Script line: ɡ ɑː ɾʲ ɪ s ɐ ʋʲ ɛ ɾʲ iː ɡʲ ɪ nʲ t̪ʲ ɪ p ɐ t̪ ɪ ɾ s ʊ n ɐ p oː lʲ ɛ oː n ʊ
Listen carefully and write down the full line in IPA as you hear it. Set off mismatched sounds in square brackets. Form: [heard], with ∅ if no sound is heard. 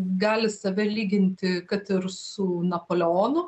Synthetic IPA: ɡ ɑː [lʲ] ɪ s ɐ ʋʲ ɛ [lʲ] iː ɡʲ ɪ nʲ t̪ʲ ɪ [k] ɐ t̪ ɪ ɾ s ʊ n ɐ p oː lʲ ɛ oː n ʊ